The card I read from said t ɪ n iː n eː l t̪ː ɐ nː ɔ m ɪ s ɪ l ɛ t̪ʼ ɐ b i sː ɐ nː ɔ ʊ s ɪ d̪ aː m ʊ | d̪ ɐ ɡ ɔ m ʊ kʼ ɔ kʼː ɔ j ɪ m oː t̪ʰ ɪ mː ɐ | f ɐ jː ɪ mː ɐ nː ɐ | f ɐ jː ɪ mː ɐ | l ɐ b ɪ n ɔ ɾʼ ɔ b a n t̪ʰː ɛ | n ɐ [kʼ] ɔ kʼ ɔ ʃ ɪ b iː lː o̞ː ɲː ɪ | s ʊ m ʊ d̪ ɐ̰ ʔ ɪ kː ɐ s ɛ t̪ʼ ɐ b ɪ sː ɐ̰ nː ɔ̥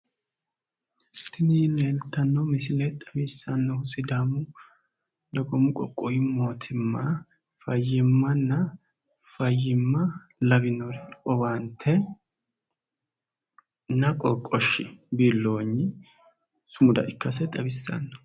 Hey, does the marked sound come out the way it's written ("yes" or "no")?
yes